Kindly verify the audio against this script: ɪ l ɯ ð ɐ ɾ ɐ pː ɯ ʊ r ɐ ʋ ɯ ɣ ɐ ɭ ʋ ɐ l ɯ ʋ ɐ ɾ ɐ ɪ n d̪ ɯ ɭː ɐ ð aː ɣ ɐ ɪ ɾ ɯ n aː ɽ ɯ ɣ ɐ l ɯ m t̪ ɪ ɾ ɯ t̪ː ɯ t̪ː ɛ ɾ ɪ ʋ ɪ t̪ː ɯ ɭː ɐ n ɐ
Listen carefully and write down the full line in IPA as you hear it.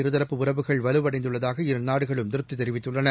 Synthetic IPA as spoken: ɪ ɾ ɯ ð ɐ ɾ ɐ pː ɯ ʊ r ɐ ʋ ɯ ɣ ɐ ɭ ʋ ɐ l ɯ ʋ ɐ ɽ ɐ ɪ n d̪ ɯ ɭː ɐ ð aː ɣ ɐ ɪ ɾ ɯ n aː ɽ ɯ ɣ ɐ ɭ ɯ m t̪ ɪ ɾ ɯ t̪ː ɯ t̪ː ɛ ɾ ɪ ʋ ɪ t̪ː ɯ ɭː ɐ n ɐ

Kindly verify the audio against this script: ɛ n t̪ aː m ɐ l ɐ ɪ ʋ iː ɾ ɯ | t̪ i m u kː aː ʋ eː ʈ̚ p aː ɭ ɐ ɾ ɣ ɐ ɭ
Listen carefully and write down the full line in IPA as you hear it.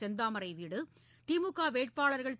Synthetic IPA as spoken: ɛ n d̪ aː m ɐ ɾ ɐ ɪ ʋ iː ɽ ɯ | t̪ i m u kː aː ʋ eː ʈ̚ p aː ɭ ɐ ɾ ɣ ɐ ɭ

